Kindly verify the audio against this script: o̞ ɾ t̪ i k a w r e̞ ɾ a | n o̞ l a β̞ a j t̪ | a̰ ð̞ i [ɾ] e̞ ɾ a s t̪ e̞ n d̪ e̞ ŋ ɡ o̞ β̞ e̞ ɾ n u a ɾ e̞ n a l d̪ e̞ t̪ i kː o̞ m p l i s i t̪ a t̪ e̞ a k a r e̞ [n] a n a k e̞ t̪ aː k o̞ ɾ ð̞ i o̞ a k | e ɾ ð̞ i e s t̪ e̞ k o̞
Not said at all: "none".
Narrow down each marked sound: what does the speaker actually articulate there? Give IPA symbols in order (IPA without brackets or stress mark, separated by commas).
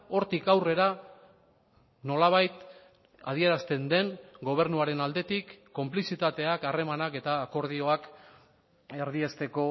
none, m